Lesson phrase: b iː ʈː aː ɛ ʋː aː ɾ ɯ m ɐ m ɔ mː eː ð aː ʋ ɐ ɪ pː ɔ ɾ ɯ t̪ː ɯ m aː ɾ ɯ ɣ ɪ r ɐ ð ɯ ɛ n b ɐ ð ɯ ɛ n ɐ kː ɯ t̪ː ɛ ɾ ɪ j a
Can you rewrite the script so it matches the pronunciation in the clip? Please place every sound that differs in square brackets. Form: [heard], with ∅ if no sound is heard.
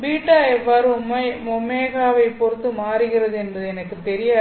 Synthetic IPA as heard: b iː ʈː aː ɛ ʋː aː ɾ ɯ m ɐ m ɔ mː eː [ɣ] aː ʋ ɐ ɪ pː ɔ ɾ ɯ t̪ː ɯ m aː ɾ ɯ ɣ ɪ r ɐ ð ɯ ɛ n b ɐ ð ɯ ɛ n ɐ kː ɯ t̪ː ɛ ɾ ɪ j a